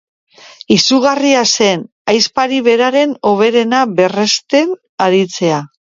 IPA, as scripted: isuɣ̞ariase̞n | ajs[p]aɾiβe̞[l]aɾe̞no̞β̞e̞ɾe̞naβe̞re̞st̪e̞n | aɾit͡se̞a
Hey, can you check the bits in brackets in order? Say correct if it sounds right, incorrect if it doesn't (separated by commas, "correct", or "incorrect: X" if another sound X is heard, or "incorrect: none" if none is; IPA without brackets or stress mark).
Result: correct, incorrect: ɾ